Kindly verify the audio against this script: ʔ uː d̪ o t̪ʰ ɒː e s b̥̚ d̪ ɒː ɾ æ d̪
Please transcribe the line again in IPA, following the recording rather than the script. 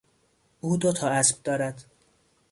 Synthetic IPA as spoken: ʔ uː d̪ o t̪ʰ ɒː æ s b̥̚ d̪ ɒː ɾ æ d̪

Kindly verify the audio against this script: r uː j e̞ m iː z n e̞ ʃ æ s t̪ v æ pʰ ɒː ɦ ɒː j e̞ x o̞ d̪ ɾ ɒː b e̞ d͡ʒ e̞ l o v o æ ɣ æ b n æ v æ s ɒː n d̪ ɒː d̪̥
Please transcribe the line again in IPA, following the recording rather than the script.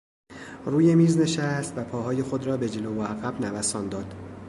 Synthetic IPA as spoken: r uː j e̞ m iː z n e̞ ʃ æ s t̪ v æ pʰ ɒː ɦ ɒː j e̞ x o̞ d̪ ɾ ɒː b e̞ d͡ʒ e̞ l o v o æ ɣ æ b n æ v æ s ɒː n d̪ ɒː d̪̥

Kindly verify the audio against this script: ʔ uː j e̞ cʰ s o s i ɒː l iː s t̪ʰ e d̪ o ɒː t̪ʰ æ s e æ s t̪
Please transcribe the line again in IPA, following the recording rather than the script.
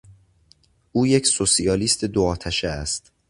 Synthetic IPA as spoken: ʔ uː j e̞ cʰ s o s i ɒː l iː s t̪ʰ e d̪ o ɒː t̪ʰ æ ʃ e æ s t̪

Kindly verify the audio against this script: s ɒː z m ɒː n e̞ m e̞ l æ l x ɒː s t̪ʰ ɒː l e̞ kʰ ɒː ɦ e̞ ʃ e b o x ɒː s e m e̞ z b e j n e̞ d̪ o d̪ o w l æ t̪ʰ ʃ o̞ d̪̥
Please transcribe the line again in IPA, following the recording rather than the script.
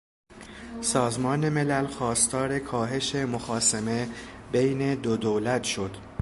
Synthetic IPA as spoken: s ɒː z m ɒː n e̞ m e̞ l æ l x ɒː s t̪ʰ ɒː ɾ e̞ kʰ ɒː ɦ e̞ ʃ e m o x ɒː s e m e̞ b e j n e̞ d̪ o d̪ o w l æ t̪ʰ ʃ o̞ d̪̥

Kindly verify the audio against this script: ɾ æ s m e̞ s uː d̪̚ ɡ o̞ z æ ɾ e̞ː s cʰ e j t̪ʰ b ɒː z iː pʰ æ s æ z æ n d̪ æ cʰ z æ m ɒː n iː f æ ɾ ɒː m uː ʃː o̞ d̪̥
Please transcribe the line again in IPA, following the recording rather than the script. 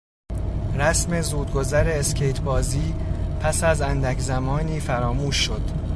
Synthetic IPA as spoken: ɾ æ s m e̞ z uː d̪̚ ɡ o̞ z æ ɾ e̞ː s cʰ e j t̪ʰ b ɒː z iː pʰ æ s æ z æ n d̪ æ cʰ z æ m ɒː n iː f æ ɾ ɒː m uː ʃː o̞ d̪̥

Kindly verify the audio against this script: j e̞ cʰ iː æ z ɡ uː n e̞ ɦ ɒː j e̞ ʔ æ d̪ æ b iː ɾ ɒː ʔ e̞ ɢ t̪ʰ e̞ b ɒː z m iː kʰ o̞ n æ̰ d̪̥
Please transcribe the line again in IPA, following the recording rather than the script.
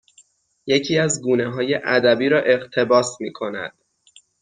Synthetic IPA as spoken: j e̞ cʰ iː æ z ɡ uː n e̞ ɦ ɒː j e̞ ʔ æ d̪ æ b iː ɾ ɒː ʔ e̞ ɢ t̪ʰ e̞ b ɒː s m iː kʰ o̞ n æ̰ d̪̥

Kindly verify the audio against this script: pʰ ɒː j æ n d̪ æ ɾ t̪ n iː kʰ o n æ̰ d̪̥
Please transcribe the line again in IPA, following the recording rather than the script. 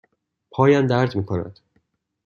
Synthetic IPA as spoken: pʰ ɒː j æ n d̪ æ ɾ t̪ m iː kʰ o n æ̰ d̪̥

